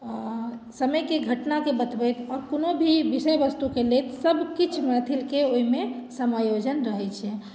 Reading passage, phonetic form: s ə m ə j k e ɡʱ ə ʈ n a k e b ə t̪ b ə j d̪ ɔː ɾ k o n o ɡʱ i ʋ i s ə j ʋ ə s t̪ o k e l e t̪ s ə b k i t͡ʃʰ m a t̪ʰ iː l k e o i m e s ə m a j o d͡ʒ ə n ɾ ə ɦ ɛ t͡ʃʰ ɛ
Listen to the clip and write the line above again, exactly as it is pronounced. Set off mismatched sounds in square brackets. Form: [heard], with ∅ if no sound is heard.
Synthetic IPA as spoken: s ə m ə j k e ɡʱ ə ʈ n a k e b ə t̪ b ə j [t̪] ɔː ɾ k o n o [bʱ] i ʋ i s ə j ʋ ə s t̪ [u] k e l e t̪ s ə b k i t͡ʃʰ m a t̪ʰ [i] l k e o i m e s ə m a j o d͡ʒ ə n ɾ ə ɦ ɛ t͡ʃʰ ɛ